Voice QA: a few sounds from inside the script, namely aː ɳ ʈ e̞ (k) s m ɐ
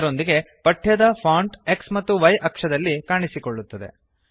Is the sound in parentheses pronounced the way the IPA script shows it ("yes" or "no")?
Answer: yes